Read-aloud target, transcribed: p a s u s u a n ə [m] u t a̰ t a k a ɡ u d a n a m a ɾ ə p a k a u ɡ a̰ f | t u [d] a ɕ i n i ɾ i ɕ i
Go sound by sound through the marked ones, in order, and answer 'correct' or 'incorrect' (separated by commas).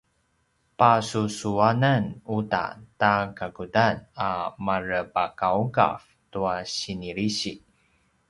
incorrect, incorrect